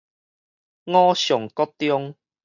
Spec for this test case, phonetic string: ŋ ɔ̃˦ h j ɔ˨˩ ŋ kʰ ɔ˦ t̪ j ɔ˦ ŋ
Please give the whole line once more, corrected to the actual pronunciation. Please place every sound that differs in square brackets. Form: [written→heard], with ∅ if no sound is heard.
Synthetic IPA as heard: ŋ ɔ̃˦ [h→ɕ] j ɔ˨˩ ŋ [kʰ→k] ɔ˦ t̪ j ɔ˦ ŋ